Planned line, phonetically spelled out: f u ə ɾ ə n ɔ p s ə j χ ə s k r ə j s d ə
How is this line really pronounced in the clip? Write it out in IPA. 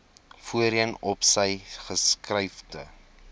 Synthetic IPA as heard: f u ə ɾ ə n ɔ p s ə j χ ə s k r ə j f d ə